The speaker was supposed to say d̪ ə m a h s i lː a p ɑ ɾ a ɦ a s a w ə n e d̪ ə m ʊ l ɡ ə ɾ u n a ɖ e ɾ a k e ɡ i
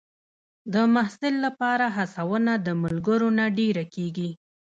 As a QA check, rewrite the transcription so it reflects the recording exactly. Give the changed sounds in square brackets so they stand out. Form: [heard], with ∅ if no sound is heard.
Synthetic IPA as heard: d̪ ə m a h s [ɪ] lː a p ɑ ɾ a ɦ a s a w ə n [a] d̪ ə m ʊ l ɡ ə ɾ [o] n a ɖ e ɾ a k e ɡ i

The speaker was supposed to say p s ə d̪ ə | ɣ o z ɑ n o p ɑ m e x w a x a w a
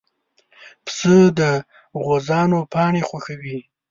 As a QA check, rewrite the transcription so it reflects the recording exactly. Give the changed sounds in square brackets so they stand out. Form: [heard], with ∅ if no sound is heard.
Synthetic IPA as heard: p s ə d̪ ə | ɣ o z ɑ n o p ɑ [ɳ] e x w a x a w [i]

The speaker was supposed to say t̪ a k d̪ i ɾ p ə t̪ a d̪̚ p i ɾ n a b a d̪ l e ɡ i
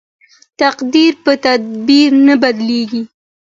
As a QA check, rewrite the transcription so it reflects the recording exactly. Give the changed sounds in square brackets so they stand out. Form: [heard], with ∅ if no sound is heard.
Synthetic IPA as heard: t̪ a [q] d̪ i ɾ p ə t̪ a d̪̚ [b] i ɾ n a b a d̪ l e ɡ i

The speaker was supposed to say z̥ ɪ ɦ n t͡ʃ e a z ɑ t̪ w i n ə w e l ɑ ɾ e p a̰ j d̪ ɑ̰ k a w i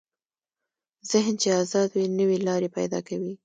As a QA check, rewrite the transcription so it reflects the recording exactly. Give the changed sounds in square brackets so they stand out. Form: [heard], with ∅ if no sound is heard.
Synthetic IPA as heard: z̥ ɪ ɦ n t͡ʃ e a z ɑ [d̪] w i n ə w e l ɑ ɾ e p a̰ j d̪ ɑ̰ k a w i

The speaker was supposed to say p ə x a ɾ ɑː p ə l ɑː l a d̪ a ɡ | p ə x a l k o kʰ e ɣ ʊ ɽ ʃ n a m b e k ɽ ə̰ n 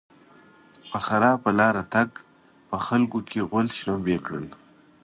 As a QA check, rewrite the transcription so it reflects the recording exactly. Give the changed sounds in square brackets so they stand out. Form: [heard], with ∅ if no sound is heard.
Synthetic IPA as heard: p ə x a ɾ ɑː p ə l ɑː [ɾ] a [t̪] a ɡ | p ə x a l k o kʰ e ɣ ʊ [l] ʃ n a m b e k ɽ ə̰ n

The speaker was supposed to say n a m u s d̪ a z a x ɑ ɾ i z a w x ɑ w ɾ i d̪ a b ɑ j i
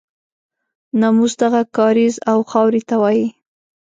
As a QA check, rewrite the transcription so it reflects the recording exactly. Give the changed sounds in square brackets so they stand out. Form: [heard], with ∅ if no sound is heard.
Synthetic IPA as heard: n a m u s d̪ a [ɣ] a [k] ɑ ɾ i z a w x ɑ w ɾ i [t̪] a [w] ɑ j i

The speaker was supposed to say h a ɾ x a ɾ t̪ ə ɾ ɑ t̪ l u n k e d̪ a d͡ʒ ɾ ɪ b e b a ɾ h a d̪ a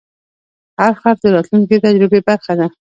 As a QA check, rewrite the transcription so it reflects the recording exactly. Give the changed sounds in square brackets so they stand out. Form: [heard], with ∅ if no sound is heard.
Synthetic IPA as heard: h a ɾ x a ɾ [d̪] ə ɾ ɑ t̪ l u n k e [t̪] a d͡ʒ ɾ ɪ b e b a ɾ [x] a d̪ a

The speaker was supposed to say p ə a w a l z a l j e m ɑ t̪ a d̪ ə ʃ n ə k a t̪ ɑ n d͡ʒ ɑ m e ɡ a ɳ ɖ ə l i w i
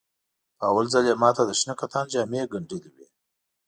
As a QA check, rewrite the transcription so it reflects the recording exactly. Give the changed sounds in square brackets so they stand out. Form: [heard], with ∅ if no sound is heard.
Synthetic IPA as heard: p ə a w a l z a l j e m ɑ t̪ a d̪ ə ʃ n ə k a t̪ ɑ n d͡ʒ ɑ m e ɡ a ɳ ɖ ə l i w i

